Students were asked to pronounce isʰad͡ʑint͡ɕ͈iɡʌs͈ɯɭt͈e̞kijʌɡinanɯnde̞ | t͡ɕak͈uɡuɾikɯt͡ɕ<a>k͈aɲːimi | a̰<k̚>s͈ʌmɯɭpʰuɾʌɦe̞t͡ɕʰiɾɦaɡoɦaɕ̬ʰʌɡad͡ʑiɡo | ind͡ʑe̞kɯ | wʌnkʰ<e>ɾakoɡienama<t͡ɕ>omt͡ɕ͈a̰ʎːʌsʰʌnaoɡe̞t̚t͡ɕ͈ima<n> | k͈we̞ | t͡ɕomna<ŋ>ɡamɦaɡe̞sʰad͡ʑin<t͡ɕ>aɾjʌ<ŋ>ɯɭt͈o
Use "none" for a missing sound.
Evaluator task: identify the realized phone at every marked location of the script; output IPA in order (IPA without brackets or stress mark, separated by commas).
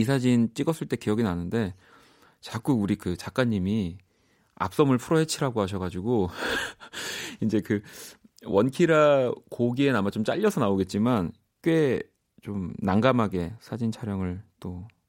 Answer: a, p̚, i, t͡ɕ, n, ŋ, t͡ɕʰ, ŋ